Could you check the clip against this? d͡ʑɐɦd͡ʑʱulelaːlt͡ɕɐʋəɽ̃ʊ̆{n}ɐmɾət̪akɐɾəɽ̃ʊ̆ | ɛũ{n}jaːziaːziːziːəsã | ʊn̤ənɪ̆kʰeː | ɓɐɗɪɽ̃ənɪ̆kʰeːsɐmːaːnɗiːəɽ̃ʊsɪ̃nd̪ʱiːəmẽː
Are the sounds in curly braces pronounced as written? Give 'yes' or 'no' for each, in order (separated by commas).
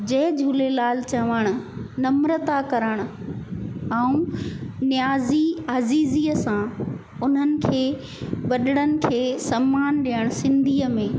yes, yes